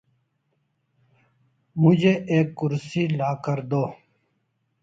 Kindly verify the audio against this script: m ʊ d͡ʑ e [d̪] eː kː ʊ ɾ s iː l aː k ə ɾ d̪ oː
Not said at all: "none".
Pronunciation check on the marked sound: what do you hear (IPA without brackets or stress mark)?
none